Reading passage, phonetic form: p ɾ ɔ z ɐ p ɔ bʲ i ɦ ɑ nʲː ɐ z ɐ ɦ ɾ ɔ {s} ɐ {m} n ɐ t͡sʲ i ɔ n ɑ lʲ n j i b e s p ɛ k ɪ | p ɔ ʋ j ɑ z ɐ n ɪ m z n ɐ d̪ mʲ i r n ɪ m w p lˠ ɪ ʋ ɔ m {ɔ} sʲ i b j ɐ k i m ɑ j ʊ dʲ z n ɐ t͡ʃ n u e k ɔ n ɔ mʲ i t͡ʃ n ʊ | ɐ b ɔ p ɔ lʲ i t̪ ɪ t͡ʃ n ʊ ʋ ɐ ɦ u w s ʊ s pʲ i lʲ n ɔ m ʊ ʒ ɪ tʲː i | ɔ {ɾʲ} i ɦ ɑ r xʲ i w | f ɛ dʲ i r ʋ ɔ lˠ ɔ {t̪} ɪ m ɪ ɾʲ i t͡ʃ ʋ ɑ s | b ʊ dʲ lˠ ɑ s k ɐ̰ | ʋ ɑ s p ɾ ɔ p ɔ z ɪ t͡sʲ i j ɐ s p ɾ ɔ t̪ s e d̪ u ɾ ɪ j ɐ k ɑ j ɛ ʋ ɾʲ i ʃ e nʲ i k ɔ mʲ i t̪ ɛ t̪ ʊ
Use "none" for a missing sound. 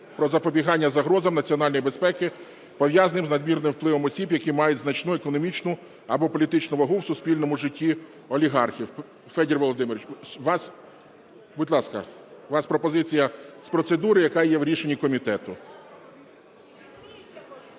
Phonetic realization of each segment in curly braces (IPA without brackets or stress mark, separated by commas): z, m, ɔ, lʲ, d̪